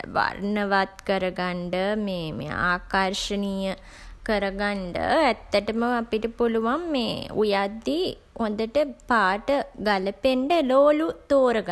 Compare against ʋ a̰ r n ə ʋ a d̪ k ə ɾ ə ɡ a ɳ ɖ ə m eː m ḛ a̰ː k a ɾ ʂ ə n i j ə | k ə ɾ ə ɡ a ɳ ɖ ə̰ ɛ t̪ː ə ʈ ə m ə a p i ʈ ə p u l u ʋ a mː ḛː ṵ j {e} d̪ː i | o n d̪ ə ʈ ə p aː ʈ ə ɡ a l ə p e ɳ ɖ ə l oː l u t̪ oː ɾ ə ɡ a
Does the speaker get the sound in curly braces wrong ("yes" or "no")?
yes